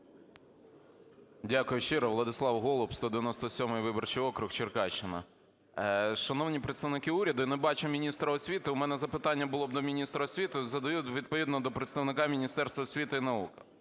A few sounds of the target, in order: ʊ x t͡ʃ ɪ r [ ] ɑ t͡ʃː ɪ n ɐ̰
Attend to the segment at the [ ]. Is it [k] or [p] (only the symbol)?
k